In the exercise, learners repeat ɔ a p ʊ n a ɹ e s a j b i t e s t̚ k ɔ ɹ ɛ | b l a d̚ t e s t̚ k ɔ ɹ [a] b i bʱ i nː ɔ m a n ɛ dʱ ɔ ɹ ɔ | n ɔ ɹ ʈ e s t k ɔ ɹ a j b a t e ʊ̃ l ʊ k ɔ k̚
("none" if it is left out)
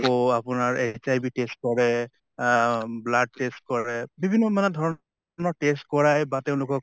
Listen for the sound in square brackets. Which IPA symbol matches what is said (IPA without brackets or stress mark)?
ɛ